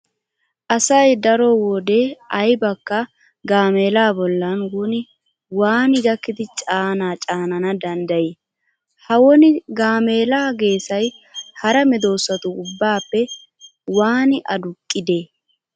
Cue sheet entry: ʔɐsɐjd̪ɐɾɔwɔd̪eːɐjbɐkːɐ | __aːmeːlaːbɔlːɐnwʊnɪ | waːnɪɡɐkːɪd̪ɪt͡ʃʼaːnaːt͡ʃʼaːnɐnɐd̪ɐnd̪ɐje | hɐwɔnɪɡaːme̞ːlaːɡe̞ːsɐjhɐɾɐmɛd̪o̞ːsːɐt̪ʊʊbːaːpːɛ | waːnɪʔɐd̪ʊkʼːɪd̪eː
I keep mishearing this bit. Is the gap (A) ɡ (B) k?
A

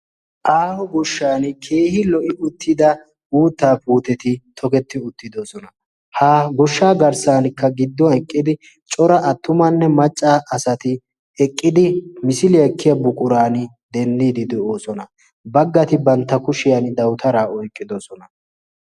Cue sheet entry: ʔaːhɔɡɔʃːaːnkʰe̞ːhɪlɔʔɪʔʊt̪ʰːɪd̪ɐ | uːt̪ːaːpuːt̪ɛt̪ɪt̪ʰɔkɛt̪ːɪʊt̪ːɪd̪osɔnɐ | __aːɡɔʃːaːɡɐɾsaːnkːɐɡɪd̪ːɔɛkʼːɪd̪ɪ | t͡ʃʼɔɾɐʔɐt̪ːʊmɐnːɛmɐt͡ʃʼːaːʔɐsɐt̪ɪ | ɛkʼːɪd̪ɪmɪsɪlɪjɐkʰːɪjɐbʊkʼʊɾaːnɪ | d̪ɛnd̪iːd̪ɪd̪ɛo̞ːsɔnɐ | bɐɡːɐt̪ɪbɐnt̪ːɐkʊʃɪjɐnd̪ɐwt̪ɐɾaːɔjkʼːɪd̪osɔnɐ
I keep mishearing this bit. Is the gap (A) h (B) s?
A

